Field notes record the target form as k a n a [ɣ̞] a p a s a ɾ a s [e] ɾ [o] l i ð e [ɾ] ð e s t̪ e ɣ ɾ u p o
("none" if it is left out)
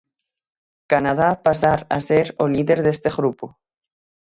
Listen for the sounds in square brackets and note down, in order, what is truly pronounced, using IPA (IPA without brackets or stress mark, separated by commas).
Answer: ð̞, e, o, ɾ